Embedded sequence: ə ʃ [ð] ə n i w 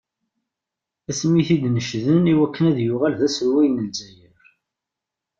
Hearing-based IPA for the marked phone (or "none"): ð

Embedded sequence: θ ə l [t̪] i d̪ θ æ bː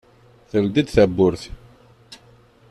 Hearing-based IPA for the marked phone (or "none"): d̪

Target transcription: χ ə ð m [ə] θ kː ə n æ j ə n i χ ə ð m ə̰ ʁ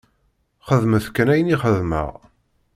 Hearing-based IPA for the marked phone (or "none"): ə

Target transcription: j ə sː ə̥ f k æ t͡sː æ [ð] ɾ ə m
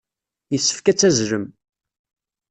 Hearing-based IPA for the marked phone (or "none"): z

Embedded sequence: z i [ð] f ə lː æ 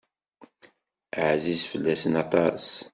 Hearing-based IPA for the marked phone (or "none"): z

